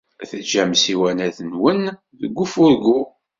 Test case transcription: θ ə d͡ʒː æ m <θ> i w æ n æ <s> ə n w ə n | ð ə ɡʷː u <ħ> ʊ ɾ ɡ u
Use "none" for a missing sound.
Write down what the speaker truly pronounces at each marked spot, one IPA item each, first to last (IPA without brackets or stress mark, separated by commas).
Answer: s, θ, f